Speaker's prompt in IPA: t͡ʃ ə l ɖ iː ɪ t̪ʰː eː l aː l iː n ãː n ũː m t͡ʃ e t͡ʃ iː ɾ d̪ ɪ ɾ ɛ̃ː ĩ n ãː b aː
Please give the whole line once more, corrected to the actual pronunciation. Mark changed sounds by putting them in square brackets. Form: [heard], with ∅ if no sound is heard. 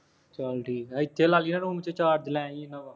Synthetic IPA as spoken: t͡ʃ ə l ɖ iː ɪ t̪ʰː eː l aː l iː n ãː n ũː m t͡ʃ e t͡ʃ [aː] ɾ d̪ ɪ [l] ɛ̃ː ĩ n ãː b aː